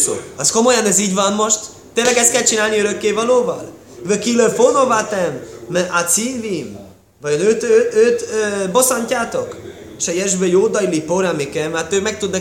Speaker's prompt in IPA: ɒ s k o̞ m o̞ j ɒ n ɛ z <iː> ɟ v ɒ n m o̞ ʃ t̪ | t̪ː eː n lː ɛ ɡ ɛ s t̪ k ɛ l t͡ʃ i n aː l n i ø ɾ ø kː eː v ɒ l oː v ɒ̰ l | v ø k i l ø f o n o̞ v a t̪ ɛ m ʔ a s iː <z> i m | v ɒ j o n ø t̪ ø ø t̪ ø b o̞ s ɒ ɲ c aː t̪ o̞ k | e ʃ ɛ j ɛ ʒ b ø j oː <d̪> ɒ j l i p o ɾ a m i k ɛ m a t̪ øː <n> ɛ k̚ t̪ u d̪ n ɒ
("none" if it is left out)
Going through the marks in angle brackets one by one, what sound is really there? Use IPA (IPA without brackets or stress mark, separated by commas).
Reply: iː, v, d̪, m